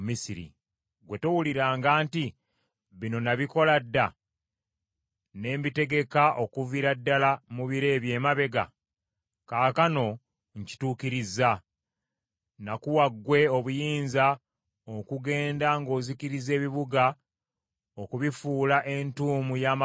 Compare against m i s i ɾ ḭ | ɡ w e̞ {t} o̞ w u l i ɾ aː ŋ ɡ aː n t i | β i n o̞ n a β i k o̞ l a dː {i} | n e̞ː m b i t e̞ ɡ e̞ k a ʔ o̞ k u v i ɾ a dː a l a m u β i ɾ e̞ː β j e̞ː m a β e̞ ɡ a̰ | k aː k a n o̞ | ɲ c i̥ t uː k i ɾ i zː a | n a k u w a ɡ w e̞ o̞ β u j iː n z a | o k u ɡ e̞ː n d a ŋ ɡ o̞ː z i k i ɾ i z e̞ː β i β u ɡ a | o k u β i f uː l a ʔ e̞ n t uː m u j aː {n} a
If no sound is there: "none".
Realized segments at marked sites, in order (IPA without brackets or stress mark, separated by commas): t, a, m